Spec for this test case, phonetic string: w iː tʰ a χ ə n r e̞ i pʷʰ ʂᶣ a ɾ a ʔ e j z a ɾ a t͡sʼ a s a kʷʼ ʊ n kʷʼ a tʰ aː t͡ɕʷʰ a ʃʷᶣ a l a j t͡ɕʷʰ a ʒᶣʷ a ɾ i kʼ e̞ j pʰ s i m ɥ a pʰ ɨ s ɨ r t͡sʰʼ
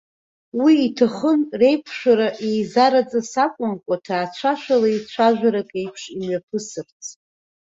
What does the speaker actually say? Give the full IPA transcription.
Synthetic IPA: w iː tʰ a χ ə n r e̞ j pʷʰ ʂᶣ a ɾ a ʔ e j z a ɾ a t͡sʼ a s a kʷʼ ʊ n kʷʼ a tʰ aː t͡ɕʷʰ a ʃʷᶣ a l a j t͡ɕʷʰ a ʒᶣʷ a ɾ a kʼ e̞ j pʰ ʂ i m ɥ a pʰ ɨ s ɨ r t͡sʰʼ

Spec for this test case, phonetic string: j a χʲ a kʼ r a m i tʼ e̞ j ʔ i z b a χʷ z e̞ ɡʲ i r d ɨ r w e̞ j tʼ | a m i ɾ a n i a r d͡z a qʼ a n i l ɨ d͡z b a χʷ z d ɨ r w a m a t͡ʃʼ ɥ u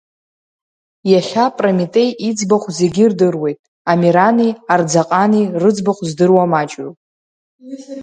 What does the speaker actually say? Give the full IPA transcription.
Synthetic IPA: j a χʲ a pʼ r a m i tʼ e̞ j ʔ i d͡z b a χʷ z e̞ ɡʲ i r d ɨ r w e̞ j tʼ | a m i ɾ a n i a r d͡z a qʼ a n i r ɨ d͡z b a χʷ z d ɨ r w a m a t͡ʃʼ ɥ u

